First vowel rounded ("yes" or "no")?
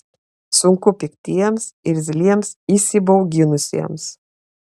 yes